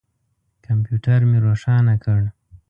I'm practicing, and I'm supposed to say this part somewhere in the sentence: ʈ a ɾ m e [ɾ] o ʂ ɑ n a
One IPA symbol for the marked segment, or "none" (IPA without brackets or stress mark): ɾ